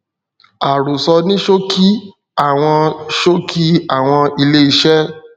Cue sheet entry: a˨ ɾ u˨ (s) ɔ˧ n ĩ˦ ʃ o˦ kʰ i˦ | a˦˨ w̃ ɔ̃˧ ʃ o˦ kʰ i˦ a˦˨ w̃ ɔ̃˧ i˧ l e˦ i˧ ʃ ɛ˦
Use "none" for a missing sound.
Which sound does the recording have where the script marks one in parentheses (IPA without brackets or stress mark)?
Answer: s